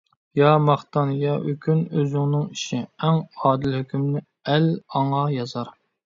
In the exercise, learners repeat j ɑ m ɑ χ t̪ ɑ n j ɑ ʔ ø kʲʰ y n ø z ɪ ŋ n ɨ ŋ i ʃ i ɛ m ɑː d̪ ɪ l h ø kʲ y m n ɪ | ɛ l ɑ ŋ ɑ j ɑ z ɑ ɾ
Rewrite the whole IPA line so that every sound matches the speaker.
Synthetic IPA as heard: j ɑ m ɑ χ t̪ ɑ n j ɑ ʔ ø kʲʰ y n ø z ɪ ŋ n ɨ ŋ i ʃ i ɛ ŋ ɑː d̪ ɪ l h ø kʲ y m n ɪ | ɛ l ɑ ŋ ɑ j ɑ z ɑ ɾ